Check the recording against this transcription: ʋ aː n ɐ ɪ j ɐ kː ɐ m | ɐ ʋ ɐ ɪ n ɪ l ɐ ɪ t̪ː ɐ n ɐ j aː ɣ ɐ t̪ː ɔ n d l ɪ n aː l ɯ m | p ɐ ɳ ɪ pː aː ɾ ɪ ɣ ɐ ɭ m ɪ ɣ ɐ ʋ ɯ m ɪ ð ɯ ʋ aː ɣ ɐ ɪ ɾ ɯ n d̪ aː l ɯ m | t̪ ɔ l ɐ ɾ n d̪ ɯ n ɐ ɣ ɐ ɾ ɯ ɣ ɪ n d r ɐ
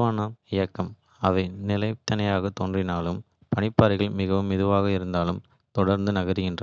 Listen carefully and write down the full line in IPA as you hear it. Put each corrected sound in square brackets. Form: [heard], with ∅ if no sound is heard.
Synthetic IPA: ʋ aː n ɐ ɪ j ɐ kː ɐ m | ɐ ʋ ɐ ɪ n ɪ l ɐ ɪ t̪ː ɐ n ɐ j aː ɣ ɐ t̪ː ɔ n d [r] ɪ n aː l ɯ m | p ɐ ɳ ɪ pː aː ɾ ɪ ɣ ɐ ɭ m ɪ ɣ ɐ ʋ ɯ m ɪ ð ɯ ʋ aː ɣ ɐ ɪ ɾ ɯ n d̪ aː l ɯ m | t̪ ɔ [ɽ] ɐ ɾ n d̪ ɯ n ɐ ɣ ɐ ɾ ɯ ɣ ɪ n d r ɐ

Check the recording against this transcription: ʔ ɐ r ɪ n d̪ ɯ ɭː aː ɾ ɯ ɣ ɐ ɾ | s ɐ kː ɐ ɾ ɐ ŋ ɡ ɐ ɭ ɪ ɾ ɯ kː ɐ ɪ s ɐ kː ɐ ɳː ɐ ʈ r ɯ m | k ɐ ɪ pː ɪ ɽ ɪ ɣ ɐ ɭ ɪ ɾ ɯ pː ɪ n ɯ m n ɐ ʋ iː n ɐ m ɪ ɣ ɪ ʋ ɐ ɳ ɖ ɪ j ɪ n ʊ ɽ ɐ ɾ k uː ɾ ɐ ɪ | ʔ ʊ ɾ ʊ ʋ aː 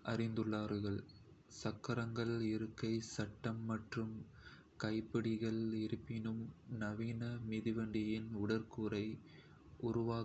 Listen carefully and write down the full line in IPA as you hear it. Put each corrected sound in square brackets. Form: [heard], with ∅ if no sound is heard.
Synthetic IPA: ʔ ɐ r ɪ n d̪ ɯ ɭː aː ɾ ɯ ɣ ɐ [ɭ] | s ɐ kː ɐ ɾ ɐ ŋ ɡ ɐ ɭ ɪ ɾ ɯ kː ɐ ɪ s ɐ [ʈː] ɐ [mː] ɐ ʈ r ɯ m | k ɐ ɪ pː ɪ ɽ ɪ ɣ ɐ ɭ ɪ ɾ ɯ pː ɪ n ɯ m n ɐ ʋ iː n ɐ m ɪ [ð] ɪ ʋ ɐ ɳ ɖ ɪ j ɪ n ʊ ɽ ɐ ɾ k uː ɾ ɐ ɪ | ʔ ʊ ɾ ʊ ʋ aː

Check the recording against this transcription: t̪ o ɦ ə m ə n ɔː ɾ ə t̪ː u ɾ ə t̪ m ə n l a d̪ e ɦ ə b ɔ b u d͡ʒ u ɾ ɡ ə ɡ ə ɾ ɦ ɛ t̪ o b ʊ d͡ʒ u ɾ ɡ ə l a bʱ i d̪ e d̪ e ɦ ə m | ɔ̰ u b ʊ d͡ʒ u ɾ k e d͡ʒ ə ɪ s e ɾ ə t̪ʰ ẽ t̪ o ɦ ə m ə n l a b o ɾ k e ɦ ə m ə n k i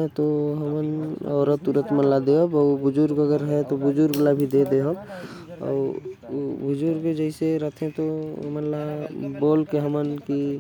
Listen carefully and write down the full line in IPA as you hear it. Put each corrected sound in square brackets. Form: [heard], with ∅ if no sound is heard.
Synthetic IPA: t̪ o ɦ ə m ə n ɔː ɾ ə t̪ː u ɾ ə t̪ m ə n l a d̪ e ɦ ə b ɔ b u d͡ʒ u ɾ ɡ ə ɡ ə ɾ ɦ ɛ t̪ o b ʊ d͡ʒ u ɾ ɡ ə l a bʱ i d̪ e d̪ e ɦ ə [b] | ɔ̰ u b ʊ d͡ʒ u ɾ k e d͡ʒ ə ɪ s e ɾ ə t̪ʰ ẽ t̪ o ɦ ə m ə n l a b o [l] k e ɦ ə m ə n k i

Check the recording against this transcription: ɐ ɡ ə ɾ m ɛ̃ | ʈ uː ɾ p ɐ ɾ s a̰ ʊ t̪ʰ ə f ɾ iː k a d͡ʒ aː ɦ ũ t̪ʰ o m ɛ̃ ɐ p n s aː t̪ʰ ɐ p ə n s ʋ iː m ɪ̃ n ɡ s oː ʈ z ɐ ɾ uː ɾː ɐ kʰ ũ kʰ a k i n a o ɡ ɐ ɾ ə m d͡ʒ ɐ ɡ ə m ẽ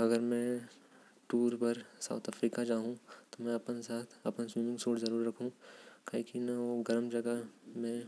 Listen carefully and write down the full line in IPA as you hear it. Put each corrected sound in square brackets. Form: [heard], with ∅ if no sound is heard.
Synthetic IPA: ɐ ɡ ə ɾ m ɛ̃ | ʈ uː ɾ p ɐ ɾ s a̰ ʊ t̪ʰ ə f ɾ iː k a d͡ʒ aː ɦ ũ [t̪] o m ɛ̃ ɐ p n s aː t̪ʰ ɐ p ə n s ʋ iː m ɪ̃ [ŋ] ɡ s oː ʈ z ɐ ɾ uː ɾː ɐ kʰ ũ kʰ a k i n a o ɡ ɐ ɾ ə m d͡ʒ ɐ ɡ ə m ẽ

